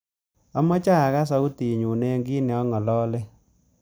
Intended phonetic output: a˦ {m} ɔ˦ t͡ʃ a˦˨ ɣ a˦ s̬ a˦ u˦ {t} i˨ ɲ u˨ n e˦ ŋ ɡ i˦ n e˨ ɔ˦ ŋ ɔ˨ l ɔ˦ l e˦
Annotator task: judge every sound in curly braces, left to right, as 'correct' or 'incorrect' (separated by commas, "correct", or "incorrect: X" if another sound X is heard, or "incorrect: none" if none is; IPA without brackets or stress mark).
correct, correct